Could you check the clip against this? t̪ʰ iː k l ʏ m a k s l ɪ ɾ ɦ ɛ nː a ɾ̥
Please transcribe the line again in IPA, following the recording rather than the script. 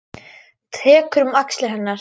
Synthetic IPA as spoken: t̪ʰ ɛː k ɾ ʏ m a k s l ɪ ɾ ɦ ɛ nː a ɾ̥